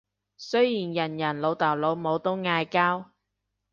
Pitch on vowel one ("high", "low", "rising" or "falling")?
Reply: high